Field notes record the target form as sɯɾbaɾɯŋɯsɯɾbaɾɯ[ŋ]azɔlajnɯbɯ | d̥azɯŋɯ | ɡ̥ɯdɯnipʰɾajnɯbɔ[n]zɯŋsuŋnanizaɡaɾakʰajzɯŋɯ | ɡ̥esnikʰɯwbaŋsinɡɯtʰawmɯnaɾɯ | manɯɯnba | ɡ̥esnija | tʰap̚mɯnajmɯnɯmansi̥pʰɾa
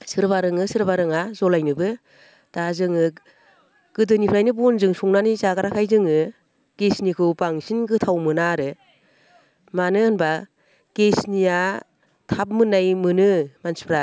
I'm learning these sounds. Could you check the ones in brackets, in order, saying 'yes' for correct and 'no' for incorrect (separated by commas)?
yes, yes